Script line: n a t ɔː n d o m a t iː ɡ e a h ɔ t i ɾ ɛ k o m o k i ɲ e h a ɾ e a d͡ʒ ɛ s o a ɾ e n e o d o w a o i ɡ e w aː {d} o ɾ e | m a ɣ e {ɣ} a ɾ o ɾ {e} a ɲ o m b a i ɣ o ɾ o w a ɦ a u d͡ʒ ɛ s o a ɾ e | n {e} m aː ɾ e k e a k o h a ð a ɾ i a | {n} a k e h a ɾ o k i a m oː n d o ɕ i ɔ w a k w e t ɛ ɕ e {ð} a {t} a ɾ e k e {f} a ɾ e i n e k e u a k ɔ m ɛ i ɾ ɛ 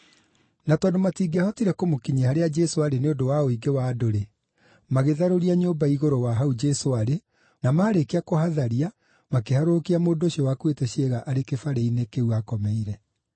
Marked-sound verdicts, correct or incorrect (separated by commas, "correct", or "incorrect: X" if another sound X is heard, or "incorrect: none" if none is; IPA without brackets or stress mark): correct, incorrect: ð, incorrect: i, incorrect: a, incorrect: m, incorrect: ɣ, incorrect: ʔ, correct